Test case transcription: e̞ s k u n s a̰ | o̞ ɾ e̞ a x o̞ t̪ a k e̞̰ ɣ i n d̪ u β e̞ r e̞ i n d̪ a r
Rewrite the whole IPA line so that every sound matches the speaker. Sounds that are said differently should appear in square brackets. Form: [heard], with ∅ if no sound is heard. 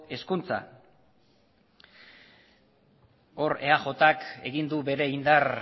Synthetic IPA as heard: e̞ s k u n [t͡s] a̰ | o̞ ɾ e̞ a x o̞ t̪ a k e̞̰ ɣ i n d̪ u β e̞ [ɾ] e̞ i n d̪ a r